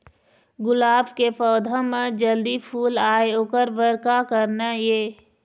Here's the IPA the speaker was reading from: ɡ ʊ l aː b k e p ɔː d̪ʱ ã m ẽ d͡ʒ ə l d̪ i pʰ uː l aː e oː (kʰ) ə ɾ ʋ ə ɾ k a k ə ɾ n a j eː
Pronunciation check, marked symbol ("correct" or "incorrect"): incorrect